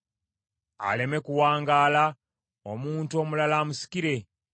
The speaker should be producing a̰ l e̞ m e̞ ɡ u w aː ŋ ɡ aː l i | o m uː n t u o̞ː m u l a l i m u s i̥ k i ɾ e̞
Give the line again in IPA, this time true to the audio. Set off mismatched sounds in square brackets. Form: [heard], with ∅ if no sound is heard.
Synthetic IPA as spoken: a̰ l e̞ m e̞ [k] u w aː ŋ ɡ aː l [a] | o m uː n t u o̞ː m u l a l [a] m u s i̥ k i ɾ e̞